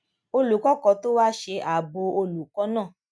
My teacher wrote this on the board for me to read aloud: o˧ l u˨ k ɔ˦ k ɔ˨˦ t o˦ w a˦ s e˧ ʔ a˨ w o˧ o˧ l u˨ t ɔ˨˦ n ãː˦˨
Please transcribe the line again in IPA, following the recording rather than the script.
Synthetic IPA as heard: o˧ l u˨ k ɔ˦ k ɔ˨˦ t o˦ w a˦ ʃ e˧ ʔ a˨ b o˧ o˧ l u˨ k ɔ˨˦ n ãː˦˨